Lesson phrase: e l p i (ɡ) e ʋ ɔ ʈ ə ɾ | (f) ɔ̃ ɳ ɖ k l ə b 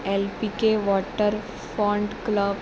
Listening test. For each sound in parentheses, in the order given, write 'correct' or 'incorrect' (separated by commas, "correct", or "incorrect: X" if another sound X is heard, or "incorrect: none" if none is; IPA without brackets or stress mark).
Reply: incorrect: k, correct